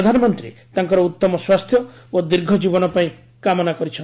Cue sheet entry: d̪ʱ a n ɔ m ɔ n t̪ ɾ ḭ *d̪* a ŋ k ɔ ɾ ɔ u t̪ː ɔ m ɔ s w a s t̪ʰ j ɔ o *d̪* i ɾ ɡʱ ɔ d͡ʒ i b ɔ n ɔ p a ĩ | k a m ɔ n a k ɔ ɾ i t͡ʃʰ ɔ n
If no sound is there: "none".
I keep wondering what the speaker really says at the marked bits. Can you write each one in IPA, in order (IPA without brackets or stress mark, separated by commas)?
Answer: t̪, d̪